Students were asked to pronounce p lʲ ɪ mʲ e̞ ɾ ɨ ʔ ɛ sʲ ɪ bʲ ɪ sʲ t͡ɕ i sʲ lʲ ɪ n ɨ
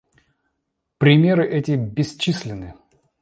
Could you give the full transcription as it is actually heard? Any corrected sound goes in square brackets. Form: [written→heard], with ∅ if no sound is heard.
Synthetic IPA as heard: p [lʲ→ɾʲ] ɪ mʲ e̞ ɾ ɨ ʔ ɛ [sʲ→tʲ] ɪ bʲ ɪ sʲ t͡ɕ i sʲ lʲ ɪ n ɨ